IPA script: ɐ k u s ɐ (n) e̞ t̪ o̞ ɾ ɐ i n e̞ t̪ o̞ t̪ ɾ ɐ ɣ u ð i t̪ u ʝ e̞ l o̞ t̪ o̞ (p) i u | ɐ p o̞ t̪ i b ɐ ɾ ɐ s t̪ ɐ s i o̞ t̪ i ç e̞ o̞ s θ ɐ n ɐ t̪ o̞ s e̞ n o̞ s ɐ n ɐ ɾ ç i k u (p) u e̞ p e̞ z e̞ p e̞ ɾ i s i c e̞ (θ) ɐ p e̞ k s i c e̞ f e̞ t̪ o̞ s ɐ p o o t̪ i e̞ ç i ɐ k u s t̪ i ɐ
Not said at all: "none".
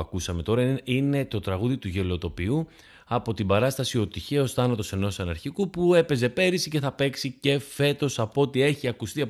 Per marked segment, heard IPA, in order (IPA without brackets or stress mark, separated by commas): m, p, p, θ